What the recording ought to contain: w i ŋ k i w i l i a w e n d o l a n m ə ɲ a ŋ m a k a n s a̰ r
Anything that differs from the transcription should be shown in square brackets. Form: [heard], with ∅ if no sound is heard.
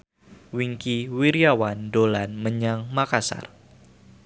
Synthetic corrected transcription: w i ŋ k i w i [ɾ] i a w [a] n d o l a n m ə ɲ a ŋ m a k a [∅] s a̰ r